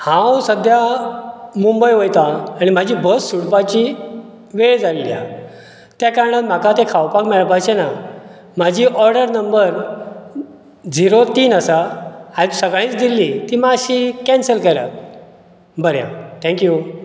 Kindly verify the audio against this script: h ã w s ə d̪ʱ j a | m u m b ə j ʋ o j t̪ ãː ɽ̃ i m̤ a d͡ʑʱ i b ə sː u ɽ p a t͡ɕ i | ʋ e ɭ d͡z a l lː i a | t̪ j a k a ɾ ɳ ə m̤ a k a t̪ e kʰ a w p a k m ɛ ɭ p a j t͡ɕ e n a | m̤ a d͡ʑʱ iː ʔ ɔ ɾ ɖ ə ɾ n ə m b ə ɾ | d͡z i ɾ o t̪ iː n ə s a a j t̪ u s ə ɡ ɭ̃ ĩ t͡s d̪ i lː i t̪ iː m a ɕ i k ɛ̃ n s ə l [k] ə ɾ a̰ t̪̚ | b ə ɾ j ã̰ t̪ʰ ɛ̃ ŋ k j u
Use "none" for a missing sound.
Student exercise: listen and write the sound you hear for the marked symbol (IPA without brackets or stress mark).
k